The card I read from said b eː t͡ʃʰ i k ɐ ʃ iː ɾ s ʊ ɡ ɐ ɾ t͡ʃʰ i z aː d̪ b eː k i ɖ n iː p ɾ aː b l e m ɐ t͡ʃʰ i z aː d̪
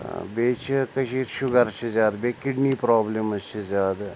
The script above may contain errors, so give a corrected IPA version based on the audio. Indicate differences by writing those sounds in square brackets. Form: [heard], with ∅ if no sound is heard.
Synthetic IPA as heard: b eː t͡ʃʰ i k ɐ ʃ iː ɾ [ʃ] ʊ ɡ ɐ ɾ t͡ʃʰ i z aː d̪ b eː k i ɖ n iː p ɾ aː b l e m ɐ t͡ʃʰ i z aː d̪